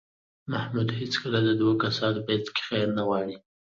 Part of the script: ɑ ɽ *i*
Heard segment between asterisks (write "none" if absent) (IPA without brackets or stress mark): i